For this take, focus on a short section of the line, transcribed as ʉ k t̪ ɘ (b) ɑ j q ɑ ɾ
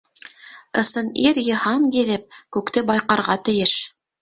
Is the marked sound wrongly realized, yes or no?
no